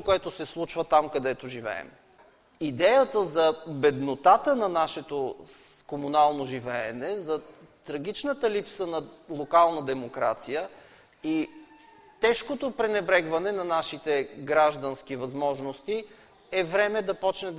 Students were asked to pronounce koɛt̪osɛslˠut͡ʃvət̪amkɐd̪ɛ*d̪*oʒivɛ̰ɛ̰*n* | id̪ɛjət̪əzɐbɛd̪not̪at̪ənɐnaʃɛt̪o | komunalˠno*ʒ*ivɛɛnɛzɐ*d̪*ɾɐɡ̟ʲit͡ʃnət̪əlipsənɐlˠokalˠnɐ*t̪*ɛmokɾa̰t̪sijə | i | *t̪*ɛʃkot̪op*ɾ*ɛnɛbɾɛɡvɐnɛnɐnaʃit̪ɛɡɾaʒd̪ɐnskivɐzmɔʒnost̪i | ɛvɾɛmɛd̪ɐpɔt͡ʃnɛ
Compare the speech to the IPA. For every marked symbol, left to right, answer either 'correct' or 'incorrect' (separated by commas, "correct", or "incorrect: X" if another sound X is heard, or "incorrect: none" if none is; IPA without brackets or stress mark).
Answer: incorrect: t̪, incorrect: m, correct, incorrect: t̪, incorrect: d̪, correct, correct